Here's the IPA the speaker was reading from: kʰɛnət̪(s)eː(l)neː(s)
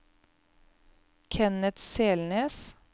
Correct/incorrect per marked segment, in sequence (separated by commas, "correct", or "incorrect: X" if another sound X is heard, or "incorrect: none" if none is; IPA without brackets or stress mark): correct, correct, correct